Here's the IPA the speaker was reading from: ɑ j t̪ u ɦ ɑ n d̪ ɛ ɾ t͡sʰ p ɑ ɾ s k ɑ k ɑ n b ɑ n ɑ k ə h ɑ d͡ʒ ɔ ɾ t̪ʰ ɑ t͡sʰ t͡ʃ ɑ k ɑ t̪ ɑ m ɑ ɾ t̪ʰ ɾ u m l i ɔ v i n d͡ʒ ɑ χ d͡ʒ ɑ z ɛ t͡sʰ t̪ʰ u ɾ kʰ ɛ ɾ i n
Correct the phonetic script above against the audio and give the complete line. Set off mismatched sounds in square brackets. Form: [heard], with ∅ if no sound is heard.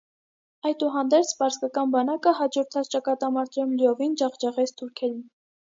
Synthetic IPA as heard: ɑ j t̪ u ɦ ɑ n d̪ ɛ ɾ t͡sʰ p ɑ ɾ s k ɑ k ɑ n b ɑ n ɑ k ə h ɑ d͡ʒ ɔ ɾ t̪ʰ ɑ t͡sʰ t͡ʃ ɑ k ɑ t̪ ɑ m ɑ ɾ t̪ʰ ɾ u m l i ɔ v i n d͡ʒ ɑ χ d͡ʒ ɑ [ʁ] ɛ t͡sʰ t̪ʰ u ɾ kʰ ɛ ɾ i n